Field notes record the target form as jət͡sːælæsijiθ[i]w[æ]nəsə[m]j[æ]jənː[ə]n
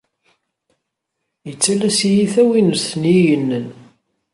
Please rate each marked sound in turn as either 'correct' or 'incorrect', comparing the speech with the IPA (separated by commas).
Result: incorrect, incorrect, incorrect, incorrect, correct